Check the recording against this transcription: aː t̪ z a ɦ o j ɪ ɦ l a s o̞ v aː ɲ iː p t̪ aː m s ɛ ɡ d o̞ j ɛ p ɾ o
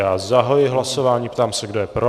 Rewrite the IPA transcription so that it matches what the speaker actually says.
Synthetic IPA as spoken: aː z a ɦ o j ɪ ɦ l a s o̞ v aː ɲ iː p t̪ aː m s ɛ ɡ d o̞ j ɛ p ɾ o